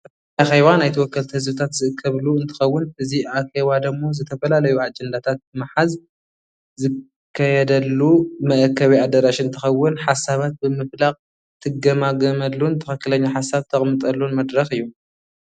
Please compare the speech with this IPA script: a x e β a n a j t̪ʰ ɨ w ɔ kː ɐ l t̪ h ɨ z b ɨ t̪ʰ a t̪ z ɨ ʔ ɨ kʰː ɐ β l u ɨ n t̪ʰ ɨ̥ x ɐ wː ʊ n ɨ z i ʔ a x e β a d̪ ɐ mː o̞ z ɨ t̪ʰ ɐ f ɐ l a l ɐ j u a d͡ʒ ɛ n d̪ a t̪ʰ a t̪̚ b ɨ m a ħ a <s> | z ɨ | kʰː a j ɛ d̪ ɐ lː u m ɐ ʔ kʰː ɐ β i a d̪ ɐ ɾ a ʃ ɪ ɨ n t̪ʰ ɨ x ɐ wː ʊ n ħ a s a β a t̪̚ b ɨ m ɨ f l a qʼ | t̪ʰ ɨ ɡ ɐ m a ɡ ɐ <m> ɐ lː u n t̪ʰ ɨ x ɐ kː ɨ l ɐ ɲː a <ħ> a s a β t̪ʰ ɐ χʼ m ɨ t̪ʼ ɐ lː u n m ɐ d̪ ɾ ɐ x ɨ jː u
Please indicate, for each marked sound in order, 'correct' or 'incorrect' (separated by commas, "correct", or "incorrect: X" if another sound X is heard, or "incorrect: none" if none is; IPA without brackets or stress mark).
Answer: incorrect: z, correct, correct